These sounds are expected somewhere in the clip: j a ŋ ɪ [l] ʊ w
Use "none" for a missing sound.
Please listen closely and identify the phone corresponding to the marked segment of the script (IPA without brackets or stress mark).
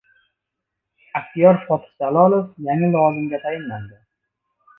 l